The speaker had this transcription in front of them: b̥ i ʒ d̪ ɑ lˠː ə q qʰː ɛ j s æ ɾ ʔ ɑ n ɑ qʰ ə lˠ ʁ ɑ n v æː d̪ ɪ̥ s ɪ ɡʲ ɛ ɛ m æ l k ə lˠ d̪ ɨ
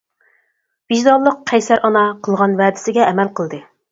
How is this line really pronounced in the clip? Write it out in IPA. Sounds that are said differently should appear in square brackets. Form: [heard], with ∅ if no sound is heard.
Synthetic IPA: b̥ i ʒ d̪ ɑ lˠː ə q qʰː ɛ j s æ ɾ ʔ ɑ n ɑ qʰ ə lˠ ʁ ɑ n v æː d̪ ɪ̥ s ɪ ɡʲ ɛ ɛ m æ l [q] ə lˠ d̪ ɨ